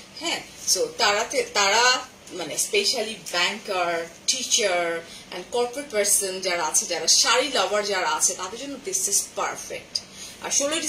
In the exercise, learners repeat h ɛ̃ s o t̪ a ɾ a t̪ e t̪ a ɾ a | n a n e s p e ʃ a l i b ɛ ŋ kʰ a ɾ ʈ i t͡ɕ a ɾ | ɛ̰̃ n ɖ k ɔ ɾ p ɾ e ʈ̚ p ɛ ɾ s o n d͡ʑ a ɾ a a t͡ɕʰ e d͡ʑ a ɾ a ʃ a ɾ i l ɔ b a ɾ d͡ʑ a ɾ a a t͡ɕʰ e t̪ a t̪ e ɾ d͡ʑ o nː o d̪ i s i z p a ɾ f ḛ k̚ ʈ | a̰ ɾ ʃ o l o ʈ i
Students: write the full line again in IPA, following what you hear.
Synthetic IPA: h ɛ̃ s o t̪ a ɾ a t̪ e t̪ a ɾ a | m a n e s p e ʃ a l i b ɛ ŋ k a ɾ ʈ i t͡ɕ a ɾ | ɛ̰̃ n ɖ k ɔ ɾ p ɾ e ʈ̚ p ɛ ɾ s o n d͡ʑ a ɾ a a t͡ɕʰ e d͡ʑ a ɾ a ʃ a ɾ i l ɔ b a ɾ d͡ʑ a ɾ a a t͡ɕʰ e t̪ a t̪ e ɾ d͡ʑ o nː o d̪ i s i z p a ɾ f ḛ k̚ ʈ | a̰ ɾ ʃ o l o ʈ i